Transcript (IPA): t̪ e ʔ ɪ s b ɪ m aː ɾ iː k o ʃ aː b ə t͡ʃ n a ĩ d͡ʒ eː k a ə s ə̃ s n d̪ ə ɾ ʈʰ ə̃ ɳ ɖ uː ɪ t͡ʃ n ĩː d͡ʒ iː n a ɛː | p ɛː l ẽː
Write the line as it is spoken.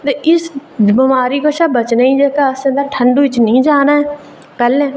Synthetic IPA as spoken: t̪ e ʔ ɪ s b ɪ m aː ɾ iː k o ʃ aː b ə t͡ʃ n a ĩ d͡ʒ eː k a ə s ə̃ n d̪ ə ɾ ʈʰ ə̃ ɳ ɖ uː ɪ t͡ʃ n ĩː d͡ʒ aː n a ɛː | p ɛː l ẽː